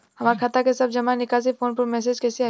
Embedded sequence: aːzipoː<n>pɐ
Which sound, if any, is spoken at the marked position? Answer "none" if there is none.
n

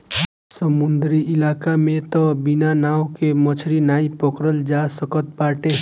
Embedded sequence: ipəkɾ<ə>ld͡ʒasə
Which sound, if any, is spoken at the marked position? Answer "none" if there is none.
ə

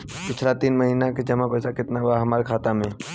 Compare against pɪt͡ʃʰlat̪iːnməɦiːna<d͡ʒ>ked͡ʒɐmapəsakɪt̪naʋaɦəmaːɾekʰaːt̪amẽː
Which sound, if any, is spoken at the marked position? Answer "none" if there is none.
none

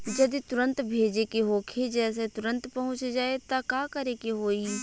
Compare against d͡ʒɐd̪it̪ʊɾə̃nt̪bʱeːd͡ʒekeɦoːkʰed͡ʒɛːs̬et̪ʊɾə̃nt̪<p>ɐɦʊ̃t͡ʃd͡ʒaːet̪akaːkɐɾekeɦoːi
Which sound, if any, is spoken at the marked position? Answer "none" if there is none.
p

